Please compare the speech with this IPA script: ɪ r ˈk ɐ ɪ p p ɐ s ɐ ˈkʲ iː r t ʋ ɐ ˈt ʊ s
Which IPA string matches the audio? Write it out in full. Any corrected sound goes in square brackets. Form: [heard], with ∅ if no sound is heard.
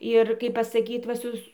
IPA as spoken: ɪ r ˈk ɐ ɪ p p ɐ s ɐ ˈkʲ iː [∅] t ʋ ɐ [ˈs] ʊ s

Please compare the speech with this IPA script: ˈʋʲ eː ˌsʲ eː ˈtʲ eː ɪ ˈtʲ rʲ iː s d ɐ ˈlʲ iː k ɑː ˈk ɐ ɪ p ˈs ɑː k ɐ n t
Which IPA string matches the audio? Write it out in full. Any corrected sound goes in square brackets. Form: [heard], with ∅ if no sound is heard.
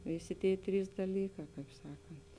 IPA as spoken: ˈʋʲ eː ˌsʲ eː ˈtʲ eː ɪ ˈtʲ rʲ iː s d ɐ ˈlʲ iː k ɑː ˈk ɐ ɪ p ˈs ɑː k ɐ n t

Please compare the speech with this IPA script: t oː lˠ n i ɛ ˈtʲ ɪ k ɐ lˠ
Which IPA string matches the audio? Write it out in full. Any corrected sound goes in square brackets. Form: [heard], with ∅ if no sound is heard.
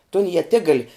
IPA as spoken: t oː [∅] n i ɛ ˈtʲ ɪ [ɡ] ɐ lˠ

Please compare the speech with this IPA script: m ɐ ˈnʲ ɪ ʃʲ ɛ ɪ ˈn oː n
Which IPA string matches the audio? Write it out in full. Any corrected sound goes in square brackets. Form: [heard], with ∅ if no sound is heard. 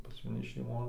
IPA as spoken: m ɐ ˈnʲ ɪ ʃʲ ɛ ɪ [ˈm] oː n

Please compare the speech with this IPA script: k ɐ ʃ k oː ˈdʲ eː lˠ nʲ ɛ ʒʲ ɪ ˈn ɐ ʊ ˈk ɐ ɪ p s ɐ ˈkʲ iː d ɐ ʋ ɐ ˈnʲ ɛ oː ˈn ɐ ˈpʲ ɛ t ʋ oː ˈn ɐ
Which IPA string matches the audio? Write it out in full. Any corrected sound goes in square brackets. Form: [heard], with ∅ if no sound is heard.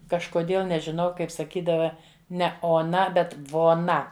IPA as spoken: k ɐ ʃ k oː ˈdʲ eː lˠ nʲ ɛ ʒʲ ɪ ˈn ɐ ʊ ˈk ɐ ɪ p s ɐ ˈkʲ iː d ɐ ʋ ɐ ˈnʲ ɛ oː ˈn ɐ [ˈbʲ] ɛ t ʋ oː ˈn ɐ

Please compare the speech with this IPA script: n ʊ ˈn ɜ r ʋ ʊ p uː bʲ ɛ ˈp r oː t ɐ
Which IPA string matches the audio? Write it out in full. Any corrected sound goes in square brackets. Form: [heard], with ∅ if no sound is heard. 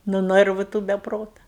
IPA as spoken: n ʊ ˈn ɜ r ʋ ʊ [t] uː bʲ ɛ ˈp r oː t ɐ

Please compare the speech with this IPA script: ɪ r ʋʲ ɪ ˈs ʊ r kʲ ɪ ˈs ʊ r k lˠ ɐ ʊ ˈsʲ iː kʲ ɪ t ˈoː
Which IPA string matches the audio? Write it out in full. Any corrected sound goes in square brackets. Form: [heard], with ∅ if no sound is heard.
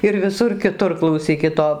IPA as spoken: ɪ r ʋʲ ɪ ˈs ʊ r kʲ ɪ [ˈt] ʊ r k lˠ ɐ ʊ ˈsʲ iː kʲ ɪ t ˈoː

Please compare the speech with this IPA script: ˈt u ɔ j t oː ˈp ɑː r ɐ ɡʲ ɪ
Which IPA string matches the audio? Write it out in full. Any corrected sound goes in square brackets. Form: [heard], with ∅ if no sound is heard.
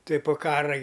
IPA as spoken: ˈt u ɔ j [p] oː [ˈk] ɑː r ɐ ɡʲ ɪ

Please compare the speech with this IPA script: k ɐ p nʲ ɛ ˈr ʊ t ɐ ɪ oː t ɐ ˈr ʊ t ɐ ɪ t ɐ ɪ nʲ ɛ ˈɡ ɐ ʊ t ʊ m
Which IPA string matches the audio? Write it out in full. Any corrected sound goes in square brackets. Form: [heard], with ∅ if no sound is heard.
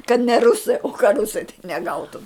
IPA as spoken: k ɐ [t] nʲ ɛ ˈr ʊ [s] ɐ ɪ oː [k] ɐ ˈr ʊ [s] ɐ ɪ t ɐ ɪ nʲ ɛ ˈɡ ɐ ʊ t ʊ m

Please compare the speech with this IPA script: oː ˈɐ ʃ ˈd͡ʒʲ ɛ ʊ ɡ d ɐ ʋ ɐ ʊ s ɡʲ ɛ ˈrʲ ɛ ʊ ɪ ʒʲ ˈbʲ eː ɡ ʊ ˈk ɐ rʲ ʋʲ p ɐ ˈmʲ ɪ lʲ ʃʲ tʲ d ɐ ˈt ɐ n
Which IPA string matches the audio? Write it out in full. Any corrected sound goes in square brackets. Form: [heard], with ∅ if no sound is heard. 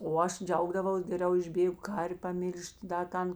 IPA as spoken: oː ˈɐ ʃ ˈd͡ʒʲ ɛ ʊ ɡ d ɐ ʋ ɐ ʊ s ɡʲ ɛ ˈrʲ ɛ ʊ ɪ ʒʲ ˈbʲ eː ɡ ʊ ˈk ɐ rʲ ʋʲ p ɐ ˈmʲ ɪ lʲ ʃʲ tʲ d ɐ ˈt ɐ n

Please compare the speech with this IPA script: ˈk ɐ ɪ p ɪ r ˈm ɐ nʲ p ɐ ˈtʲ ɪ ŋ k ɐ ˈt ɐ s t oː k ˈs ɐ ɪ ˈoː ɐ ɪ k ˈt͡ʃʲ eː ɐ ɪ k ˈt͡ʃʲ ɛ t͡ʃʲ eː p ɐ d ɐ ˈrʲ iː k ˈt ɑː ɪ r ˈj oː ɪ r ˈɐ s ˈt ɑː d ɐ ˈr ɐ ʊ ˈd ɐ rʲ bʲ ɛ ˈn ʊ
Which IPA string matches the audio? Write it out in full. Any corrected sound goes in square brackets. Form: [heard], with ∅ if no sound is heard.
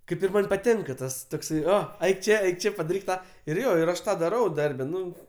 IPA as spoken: ˈk ɐ ɪ p ɪ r ˈm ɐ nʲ p ɐ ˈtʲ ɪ ŋ k ɐ ˈt ɐ s t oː k ˈs ɐ ɪ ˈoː ɐ ɪ k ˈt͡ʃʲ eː ɐ ɪ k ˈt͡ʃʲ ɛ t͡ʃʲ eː p ɐ d ɐ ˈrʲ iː k ˈt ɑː ɪ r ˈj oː ɪ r ˈɐ [ʃ] ˈt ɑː d ɐ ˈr ɐ ʊ ˈd ɐ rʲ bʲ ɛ ˈn ʊ

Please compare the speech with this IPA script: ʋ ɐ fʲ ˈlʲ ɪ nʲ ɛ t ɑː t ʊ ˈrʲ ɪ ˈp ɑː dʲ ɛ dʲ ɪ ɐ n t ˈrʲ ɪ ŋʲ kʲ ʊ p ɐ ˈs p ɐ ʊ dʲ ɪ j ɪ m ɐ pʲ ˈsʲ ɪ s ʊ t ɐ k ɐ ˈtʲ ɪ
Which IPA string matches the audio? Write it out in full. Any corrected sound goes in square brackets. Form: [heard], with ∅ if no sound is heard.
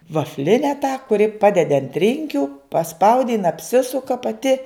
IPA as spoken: ʋ ɐ fʲ ˈlʲ ɪ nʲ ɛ t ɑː [k] ʊ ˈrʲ ɪ ˈp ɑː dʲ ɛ dʲ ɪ ɐ n t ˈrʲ ɪ ŋʲ kʲ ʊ p ɐ ˈs p ɐ ʊ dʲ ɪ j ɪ [n] ɐ pʲ ˈsʲ ɪ s ʊ [k] ɐ [p] ɐ ˈtʲ ɪ

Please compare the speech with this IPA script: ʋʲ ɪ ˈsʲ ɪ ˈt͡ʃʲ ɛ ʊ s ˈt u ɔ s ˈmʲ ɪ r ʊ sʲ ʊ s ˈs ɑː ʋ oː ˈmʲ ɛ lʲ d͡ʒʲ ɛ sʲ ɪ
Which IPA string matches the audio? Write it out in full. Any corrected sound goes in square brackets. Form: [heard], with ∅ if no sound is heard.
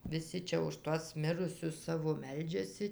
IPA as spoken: ʋʲ ɪ ˈsʲ ɪ ˈt͡ʃʲ ɛ ʊ [ʃ] ˈt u ɔ s ˈmʲ ɪ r ʊ sʲ ʊ s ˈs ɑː ʋ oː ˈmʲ ɛ lʲ d͡ʒʲ ɛ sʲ ɪ

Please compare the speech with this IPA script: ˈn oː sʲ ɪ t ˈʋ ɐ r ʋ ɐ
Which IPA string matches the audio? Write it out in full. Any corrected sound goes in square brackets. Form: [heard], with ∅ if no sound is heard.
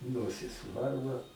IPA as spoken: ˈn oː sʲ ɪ [s] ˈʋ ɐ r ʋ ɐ

